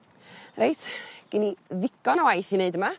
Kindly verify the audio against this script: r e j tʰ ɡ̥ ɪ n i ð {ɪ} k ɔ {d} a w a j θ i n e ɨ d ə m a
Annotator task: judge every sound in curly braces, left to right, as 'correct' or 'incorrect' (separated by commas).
correct, incorrect